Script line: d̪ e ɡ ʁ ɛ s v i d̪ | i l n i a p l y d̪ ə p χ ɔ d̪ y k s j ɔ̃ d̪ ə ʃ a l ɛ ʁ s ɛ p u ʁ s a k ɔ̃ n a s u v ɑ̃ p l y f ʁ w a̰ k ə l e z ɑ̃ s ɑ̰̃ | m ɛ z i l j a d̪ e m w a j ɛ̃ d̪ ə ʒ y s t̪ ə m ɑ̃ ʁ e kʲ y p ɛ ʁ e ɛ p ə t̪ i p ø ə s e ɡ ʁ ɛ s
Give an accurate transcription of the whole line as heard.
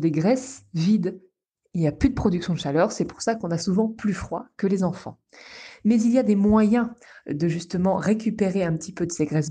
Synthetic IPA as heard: d̪ e ɡ ʁ ɛ s v i d̪ | i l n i a p l y d̪ ə p χ ɔ d̪ y k s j ɔ̃ d̪ ə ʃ a l œ ʁ s ɛ p u ʁ s a k ɔ̃ n a s u v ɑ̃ p l y f χ w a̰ k ə l e z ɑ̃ f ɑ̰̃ | m ɛ z i l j a d̪ e m w a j ɛ̃ d̪ ə ʒ y s t̪ ə m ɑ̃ ʁ e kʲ y p e ʁ e ɛ̃ p ə t̪ i p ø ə s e ɡ ʁ ɛ s